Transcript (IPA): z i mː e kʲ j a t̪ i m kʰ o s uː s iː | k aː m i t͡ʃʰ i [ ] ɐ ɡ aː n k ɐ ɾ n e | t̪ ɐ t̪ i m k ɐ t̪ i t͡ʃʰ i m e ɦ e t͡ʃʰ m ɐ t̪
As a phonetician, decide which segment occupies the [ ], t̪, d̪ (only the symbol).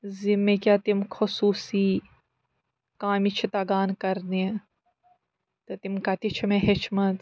t̪